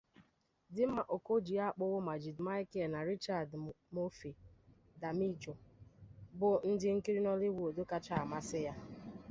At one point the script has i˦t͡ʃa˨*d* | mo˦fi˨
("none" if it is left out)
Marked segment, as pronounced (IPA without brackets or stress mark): d